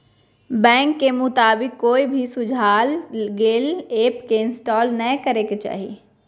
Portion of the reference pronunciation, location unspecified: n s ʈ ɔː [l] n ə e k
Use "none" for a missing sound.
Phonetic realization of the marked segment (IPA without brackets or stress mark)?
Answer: l